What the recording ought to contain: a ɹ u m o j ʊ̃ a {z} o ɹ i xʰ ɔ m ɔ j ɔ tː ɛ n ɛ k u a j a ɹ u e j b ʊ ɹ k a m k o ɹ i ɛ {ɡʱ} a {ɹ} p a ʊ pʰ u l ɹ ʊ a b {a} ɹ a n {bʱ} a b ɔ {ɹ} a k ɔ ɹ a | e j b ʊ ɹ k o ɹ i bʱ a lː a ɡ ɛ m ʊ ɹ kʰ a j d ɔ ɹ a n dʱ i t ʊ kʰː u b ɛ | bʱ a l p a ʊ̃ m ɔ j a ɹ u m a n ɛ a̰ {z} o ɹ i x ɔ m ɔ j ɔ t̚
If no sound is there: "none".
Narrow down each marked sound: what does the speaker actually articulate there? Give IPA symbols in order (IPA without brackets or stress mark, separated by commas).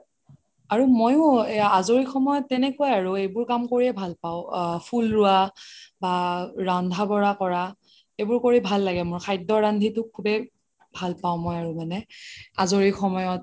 z, bʱ, l, a, dʱ, ɹ, z